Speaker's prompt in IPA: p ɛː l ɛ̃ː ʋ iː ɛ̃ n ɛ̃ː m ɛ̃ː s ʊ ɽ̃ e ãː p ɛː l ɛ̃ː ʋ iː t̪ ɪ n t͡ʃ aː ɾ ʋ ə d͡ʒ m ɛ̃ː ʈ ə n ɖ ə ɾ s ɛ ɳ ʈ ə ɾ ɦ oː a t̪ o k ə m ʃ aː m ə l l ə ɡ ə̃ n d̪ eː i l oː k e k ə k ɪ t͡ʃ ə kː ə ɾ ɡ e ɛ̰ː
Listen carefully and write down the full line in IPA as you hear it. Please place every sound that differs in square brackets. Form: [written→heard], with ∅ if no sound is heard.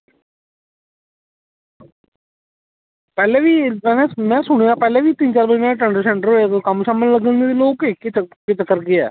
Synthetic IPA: p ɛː l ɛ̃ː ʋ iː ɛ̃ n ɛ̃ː m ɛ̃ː s ʊ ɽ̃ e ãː p ɛː l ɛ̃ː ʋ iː t̪ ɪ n t͡ʃ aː ɾ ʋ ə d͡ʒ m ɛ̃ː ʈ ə [n→ɳ] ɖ ə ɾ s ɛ ɳ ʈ ə ɾ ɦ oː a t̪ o k ə m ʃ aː m ə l l ə ɡ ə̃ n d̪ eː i l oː k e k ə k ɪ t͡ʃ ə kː ə ɾ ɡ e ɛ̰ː

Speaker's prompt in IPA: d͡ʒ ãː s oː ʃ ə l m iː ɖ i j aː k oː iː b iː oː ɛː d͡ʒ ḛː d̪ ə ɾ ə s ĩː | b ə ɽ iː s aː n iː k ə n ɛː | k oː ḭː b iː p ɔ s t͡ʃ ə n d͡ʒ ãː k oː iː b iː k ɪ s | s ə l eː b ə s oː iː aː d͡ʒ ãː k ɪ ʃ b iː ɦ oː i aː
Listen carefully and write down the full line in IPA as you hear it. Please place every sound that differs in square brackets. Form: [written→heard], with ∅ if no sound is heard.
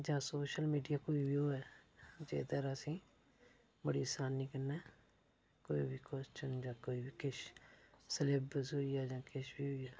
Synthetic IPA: d͡ʒ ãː s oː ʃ ə l m iː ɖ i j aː k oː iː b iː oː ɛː d͡ʒ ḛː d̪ ə ɾ ə s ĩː | b ə ɽ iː s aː n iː k ə n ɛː | k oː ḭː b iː [p→k] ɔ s t͡ʃ ə n d͡ʒ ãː k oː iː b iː k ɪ [s→ʃ] | s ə l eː b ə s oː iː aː d͡ʒ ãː k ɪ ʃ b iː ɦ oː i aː

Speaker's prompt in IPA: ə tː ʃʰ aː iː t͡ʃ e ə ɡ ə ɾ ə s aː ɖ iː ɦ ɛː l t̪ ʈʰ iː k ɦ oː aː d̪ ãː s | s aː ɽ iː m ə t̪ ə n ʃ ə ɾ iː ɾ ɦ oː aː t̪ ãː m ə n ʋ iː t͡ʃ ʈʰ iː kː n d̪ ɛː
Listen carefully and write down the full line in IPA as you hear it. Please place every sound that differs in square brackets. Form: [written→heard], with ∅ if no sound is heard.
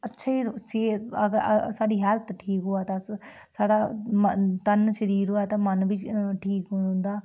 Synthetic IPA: ə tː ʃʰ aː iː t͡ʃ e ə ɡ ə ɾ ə s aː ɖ iː ɦ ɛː l t̪ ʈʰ iː k ɦ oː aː [d̪→t̪] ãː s | s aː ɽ [iː→aː] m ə t̪ ə n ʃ ə ɾ iː ɾ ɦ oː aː t̪ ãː m ə n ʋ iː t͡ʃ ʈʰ iː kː n d̪ [ɛː→aː]

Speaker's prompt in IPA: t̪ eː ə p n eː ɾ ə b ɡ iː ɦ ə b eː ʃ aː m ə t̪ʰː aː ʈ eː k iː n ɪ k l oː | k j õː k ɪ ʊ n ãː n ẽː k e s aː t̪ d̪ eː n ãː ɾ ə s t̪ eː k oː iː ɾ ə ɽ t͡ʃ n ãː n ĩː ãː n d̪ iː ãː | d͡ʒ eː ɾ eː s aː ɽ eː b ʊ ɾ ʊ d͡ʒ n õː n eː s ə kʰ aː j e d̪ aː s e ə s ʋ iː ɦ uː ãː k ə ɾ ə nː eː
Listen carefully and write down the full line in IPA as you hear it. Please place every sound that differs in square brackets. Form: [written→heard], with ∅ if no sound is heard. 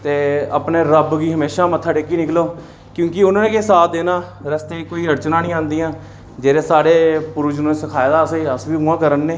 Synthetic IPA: t̪ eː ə p n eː ɾ ə b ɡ iː ɦ ə [b→m] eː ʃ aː m ə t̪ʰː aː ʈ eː k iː n ɪ k l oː | k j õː k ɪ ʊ n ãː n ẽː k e s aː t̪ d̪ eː n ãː ɾ ə s t̪ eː k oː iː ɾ ə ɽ t͡ʃ n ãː n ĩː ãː n d̪ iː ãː | d͡ʒ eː ɾ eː s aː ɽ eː [b→p] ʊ ɾ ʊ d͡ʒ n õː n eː s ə kʰ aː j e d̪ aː s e ə s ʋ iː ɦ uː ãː k ə ɾ ə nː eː

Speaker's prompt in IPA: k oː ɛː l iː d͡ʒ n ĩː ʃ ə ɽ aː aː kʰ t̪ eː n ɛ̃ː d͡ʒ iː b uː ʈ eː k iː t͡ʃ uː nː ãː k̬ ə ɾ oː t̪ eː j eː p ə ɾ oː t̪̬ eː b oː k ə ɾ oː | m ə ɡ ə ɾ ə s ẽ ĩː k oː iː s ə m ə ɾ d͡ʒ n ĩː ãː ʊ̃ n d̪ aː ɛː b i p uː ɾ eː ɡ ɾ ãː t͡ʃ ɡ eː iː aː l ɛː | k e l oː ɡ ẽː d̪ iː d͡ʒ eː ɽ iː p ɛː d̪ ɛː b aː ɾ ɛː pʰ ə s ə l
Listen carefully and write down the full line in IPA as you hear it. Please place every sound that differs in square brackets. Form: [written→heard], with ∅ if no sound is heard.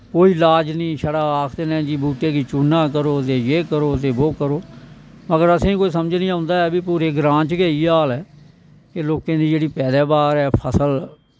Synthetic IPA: k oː [ɛː→iː] l [iː→aː] d͡ʒ n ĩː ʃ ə ɽ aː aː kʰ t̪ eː n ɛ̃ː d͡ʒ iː b uː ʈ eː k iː t͡ʃ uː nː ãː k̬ ə ɾ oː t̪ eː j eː [p→k] ə ɾ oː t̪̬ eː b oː k ə ɾ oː | m ə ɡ ə ɾ ə s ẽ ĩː k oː iː s ə m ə [ɾ→∅] d͡ʒ n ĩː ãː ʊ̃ n d̪ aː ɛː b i p uː ɾ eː ɡ ɾ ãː t͡ʃ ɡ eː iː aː l ɛː | k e l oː [ɡ→k] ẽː d̪ iː d͡ʒ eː ɽ iː p ɛː d̪ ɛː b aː ɾ ɛː pʰ ə s ə l

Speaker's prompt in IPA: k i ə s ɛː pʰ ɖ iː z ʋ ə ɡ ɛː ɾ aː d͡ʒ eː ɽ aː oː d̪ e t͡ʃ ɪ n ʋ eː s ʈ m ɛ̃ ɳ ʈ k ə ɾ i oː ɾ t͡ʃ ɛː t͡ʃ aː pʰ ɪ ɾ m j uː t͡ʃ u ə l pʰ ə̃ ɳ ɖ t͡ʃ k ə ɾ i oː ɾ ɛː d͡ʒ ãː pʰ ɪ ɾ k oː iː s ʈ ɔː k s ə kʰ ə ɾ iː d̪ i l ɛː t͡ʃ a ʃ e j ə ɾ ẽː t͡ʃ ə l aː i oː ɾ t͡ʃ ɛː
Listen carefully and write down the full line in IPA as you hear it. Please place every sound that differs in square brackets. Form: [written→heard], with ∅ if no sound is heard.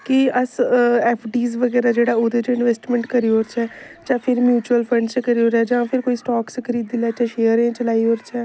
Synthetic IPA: k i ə s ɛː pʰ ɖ iː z ʋ ə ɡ ɛː ɾ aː d͡ʒ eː ɽ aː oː d̪ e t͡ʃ ɪ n ʋ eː s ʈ m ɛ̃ ɳ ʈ k ə ɾ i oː ɾ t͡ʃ ɛː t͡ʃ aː pʰ ɪ ɾ m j uː t͡ʃ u ə l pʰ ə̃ ɳ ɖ t͡ʃ k ə ɾ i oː ɾ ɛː d͡ʒ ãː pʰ ɪ ɾ k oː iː s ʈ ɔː k s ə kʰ ə ɾ iː d̪ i l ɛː t͡ʃ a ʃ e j ə ɾ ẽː t͡ʃ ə l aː i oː ɾ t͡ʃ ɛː

